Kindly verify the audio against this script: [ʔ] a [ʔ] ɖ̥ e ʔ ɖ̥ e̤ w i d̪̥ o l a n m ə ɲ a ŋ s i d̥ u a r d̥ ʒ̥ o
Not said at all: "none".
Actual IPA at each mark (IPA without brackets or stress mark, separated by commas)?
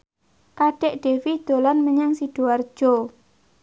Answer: k, none